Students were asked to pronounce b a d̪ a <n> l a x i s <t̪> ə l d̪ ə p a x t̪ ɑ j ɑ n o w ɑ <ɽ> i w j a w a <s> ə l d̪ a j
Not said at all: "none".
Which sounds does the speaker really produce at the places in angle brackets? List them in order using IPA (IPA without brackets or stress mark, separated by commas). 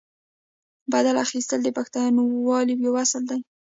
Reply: none, t̪, l, s